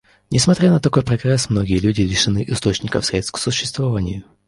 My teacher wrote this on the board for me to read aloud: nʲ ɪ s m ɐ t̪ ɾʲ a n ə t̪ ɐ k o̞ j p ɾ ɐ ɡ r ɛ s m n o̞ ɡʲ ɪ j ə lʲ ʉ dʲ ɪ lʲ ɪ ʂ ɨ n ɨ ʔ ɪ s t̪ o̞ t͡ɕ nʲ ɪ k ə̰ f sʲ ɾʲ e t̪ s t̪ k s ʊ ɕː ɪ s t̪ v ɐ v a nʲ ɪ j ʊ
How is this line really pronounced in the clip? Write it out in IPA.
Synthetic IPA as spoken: nʲ ɪ s m ɐ t̪ ɾʲ a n ə t̪ ɐ k o̞ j p ɾ ɐ ɡ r ɛ s m n o̞ ɡʲ ɪ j ə lʲ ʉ dʲ ɪ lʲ ɪ ʂ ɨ n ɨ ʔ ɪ s t̪ o̞ t͡ɕ nʲ ɪ k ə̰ f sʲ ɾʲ e t̪ s t̪ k s ʊ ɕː ɪ s t̪ v ɐ v a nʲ ɪ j ʊ